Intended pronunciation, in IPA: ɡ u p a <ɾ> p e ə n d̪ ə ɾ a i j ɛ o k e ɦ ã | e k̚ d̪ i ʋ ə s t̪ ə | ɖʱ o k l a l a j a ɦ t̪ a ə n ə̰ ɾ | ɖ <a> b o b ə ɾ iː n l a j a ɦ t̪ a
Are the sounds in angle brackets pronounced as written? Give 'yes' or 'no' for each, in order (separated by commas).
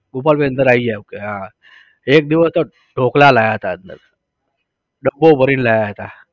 no, no